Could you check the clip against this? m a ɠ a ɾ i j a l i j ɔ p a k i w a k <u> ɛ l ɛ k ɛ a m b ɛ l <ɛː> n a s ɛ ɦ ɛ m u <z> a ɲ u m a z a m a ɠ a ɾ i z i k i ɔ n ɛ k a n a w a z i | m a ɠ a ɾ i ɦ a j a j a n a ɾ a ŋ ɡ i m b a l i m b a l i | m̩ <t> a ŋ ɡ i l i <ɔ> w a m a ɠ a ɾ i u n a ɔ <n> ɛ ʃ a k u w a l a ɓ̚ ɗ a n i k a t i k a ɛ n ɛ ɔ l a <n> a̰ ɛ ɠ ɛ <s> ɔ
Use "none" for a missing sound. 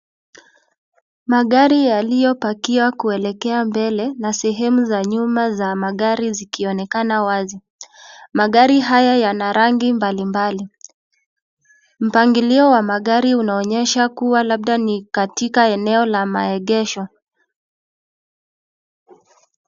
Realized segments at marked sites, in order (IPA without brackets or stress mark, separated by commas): u, ɛ, z, p, ɔ, ɲ, m, ʃ